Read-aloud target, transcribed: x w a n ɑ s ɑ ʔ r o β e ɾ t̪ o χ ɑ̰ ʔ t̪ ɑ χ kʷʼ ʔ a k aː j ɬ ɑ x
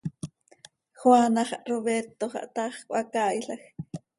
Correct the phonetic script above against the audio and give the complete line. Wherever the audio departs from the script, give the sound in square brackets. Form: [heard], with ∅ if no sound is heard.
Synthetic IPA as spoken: x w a n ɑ [χ] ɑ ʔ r o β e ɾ t̪ o χ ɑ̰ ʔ t̪ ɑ χ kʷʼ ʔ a k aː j ɬ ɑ x